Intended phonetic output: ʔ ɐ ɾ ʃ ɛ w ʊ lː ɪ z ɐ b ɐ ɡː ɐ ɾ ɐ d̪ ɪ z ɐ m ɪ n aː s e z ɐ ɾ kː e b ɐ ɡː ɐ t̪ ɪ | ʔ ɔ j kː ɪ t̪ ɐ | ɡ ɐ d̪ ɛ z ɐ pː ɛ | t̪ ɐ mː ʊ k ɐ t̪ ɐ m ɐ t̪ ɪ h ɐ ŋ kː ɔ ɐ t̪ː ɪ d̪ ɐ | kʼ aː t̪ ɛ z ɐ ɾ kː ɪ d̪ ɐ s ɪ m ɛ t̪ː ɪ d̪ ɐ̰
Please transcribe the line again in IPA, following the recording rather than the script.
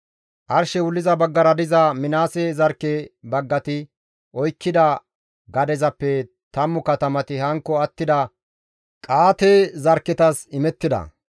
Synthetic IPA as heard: ʔ ɐ ɾ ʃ ɛ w ʊ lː ɪ z ɐ b ɐ ɡː ɐ ɾ ɐ d̪ ɪ z ɐ m ɪ n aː s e z ɐ ɾ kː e b ɐ ɡː ɐ t̪ ɪ | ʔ ɔ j kː ɪ d̪ ɐ | ɡ ɐ d̪ ɛ z ɐ pː ɛ | t̪ ɐ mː ʊ k ɐ t̪ ɐ m ɐ t̪ ɪ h ɐ ŋ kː ɔ ɐ t̪ː ɪ d̪ ɐ | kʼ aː t̪ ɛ z ɐ ɾ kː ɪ t̪ ɐ s ɪ m ɛ t̪ː ɪ d̪ ɐ̰